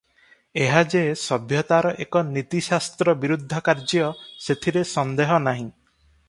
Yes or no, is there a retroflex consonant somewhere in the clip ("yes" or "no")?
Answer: no